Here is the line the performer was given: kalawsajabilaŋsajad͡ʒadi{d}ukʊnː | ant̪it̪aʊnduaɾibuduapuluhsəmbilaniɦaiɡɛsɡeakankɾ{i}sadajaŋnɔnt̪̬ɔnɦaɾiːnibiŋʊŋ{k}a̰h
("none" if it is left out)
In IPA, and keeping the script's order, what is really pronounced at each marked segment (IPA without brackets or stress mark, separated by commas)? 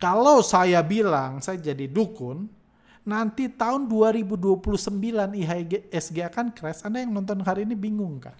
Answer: d, ɛ, k